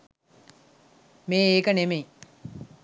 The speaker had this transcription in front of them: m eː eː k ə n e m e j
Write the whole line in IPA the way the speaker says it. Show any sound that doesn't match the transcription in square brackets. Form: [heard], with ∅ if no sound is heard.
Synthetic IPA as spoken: m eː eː k ə n e m e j